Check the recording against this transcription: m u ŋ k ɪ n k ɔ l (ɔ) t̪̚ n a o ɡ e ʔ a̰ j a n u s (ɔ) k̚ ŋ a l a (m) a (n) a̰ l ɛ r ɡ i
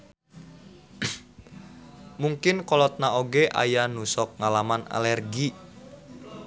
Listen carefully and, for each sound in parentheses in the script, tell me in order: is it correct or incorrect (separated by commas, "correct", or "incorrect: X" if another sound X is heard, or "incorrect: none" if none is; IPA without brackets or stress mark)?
correct, correct, correct, correct